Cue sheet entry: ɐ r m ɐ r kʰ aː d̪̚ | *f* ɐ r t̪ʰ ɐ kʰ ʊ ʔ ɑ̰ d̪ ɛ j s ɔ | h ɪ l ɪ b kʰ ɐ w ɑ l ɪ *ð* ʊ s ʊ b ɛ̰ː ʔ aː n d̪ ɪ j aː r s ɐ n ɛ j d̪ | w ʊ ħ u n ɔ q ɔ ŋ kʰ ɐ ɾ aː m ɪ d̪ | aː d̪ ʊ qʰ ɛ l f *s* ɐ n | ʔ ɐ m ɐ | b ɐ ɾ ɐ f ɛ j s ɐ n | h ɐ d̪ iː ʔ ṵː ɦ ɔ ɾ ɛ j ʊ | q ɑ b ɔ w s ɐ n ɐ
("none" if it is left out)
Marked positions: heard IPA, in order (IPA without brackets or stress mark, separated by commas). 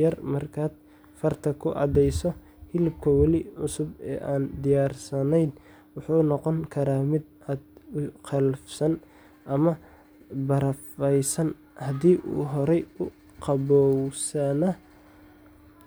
f, ʕ, s